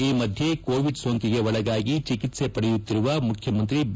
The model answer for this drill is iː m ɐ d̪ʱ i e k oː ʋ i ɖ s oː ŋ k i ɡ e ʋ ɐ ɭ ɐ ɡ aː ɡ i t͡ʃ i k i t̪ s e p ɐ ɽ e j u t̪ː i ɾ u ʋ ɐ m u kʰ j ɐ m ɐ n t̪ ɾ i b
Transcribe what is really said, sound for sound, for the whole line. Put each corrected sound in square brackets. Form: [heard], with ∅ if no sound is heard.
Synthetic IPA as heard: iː m ɐ d̪ʱ [j] e k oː ʋ i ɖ s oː ŋ k i ɡ e ʋ ɐ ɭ ɐ ɡ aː ɡ i t͡ʃ i k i t̪ s e p ɐ ɽ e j u t̪ː i ɾ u ʋ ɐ m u kʰ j ɐ m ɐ n t̪ ɾ i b